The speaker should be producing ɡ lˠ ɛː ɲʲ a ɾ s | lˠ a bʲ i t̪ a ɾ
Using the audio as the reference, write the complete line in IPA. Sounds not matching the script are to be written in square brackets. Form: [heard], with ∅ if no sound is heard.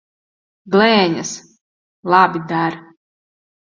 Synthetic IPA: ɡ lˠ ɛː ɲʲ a [∅] s | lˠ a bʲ i [d̪] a ɾ